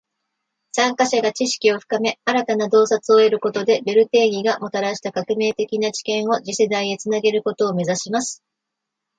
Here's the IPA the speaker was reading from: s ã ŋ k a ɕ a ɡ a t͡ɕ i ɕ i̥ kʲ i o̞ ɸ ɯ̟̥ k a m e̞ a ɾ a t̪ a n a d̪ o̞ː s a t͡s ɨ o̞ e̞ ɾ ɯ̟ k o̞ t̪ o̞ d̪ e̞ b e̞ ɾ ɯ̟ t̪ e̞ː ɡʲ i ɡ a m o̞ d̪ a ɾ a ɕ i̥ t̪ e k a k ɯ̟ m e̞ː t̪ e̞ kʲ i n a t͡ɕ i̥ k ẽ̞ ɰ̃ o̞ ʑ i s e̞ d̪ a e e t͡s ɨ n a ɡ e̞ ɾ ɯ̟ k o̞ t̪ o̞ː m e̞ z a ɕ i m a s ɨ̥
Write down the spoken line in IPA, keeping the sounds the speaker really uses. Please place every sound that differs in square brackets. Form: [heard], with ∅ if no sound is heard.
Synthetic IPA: s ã ŋ k a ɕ a ɡ a t͡ɕ i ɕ i̥ kʲ i o̞ ɸ ɯ̟̥ k a m e̞ a ɾ a t̪ a n a d̪ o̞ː s a t͡s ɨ o̞ e̞ ɾ ɯ̟ k o̞ t̪ o̞ d̪ e̞ b e̞ ɾ ɯ̟ t̪ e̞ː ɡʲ i ɡ a m o̞ [t̪] a ɾ a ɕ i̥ t̪ [a] k a k ɯ̟ m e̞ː t̪ e̞ kʲ i n a t͡ɕ i̥ k ẽ̞ ɰ̃ o̞ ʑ i s e̞ d̪ a [i] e t͡s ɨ n a ɡ e̞ ɾ ɯ̟ k o̞ t̪ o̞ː m e̞ z a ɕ i m a s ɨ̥